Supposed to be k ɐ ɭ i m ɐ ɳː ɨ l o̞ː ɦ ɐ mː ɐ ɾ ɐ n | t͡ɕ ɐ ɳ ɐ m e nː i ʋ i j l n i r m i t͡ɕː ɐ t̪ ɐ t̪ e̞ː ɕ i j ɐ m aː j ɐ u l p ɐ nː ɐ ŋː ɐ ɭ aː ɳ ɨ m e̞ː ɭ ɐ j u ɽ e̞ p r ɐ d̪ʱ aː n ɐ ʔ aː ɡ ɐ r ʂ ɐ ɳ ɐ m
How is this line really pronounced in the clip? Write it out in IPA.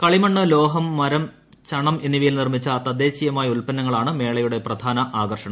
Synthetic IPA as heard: k ɐ ɭ i m ɐ ɳː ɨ l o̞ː ɦ ɐ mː ɐ ɾ ɐ m | t͡ɕ ɐ ɳ ɐ m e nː i ʋ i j l n i r m i t͡ɕː ɐ t̪ ɐ d̪ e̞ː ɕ i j ɐ m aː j ɐ u l p ɐ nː ɐ ŋː ɐ ɭ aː ɳ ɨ m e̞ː ɭ ɐ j u ɽ e̞ p r ɐ d̪ʱ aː n ɐ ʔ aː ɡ ɐ r ʂ ɐ ɳ ɐ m

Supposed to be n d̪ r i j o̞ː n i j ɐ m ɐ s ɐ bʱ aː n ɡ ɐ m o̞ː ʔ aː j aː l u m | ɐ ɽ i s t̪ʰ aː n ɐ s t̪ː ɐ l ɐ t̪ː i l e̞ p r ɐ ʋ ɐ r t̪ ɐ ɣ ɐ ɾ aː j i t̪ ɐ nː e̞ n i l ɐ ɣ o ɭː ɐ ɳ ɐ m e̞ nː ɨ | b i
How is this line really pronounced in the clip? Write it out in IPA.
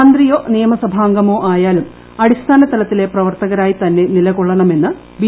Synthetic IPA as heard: n d̪ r i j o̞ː n i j ɐ m ɐ s ɐ bʱ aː ŋ ɡ ɐ m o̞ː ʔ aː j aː l u m | ɐ ɽ i s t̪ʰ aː n ɐ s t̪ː ɐ l ɐ t̪ː i l e̞ p r ɐ ʋ ɐ r t̪ ɐ ɣ ɐ ɾ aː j i t̪ ɐ nː e̞ n i l ɐ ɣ o ɭː ɐ ɳ ɐ m e̞ nː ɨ | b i

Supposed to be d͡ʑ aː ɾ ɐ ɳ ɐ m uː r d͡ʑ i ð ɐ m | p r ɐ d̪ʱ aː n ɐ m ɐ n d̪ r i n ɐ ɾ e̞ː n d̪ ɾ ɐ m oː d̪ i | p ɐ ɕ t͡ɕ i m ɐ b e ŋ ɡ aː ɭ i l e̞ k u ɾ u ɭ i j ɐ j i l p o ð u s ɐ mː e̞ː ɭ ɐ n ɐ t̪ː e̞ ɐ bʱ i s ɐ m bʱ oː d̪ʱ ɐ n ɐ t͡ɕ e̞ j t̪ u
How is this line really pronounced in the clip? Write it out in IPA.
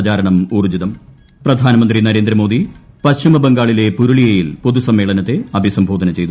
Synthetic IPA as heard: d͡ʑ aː ɾ ɐ ɳ ɐ m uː r d͡ʑ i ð ɐ m | p r ɐ d̪ʱ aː n ɐ m ɐ n d̪ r i n ɐ ɾ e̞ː n d̪ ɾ ɐ m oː d̪ i | p ɐ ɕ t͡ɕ i m ɐ b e ŋ ɡ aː ɭ i l e̞ p u ɾ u ɭ i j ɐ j i l p o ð u s ɐ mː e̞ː ɭ ɐ n ɐ t̪ː e̞ ɐ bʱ i s ɐ m bʱ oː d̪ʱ ɐ n ɐ t͡ɕ e̞ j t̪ u

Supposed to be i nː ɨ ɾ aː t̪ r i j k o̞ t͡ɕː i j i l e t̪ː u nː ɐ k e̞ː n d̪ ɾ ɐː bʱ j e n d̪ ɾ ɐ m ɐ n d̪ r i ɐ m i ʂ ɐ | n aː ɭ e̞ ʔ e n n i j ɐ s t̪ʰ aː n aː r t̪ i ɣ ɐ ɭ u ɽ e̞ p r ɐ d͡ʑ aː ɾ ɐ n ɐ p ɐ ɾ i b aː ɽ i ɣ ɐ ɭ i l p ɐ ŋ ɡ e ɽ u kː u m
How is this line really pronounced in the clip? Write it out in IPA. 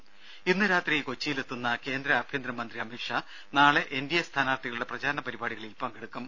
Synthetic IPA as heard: i nː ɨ ɾ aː t̪ r i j k o̞ t͡ɕː i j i l e t̪ː u nː ɐ k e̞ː n d̪ ɾ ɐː bʱ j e n d̪ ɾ ɐ m ɐ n d̪ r i ɐ m i ʂ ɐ | n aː ɭ e̞ ʔ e n d i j ɐ s t̪ʰ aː n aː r t̪ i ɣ ɐ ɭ u ɽ e̞ p r ɐ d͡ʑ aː ɾ ɐ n ɐ p ɐ ɾ i b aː ɽ i ɣ ɐ ɭ i l p ɐ ŋ ɡ e ɽ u kː u m

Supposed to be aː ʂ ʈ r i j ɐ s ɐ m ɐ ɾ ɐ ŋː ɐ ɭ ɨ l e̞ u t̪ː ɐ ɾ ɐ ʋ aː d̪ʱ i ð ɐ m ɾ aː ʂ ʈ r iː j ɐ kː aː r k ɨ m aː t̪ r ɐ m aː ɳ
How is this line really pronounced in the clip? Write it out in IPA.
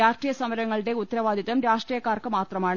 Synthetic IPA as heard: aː ʂ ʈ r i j ɐ s ɐ m ɐ ɾ ɐ ŋː ɐ ɭ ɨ ɽ e̞ u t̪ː ɐ ɾ ɐ ʋ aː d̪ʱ i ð ɐ m ɾ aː ʂ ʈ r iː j ɐ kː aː r k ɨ m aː t̪ r ɐ m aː ɳ

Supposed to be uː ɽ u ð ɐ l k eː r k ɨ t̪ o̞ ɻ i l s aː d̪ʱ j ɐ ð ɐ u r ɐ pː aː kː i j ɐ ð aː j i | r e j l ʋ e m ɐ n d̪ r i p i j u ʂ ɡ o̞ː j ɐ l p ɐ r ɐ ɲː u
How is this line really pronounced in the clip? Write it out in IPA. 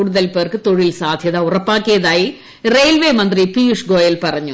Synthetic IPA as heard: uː ɽ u ð ɐ l p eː r k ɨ t̪ o̞ ɻ i l s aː d̪ʱ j ɐ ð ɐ u r ɐ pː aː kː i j ɐ ð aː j i | r e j l ʋ e m ɐ n d̪ r i p i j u ʂ ɡ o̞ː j ɐ l p ɐ r ɐ ɲː u

